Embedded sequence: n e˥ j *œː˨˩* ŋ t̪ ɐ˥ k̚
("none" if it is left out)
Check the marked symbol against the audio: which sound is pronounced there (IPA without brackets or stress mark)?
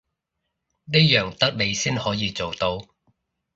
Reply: œː˨˩